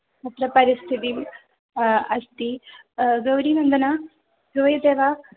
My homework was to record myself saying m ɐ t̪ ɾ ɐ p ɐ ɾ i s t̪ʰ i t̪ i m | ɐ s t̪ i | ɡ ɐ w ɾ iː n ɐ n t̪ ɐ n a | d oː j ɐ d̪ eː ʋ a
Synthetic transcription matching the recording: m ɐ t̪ ɾ ɐ p ɐ ɾ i s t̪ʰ i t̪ i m | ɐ s t̪ i | ɡ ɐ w ɾ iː n ɐ n d̪ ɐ n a | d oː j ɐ d̪ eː ʋ a